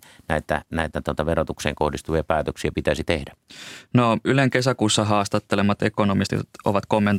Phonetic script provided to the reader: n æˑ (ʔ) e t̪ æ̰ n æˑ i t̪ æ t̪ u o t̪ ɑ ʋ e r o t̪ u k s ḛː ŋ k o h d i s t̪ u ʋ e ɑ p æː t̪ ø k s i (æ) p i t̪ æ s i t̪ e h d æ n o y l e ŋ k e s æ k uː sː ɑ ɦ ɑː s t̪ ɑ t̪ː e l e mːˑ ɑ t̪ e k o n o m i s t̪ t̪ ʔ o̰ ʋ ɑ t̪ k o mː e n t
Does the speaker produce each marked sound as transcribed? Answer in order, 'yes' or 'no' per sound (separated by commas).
no, yes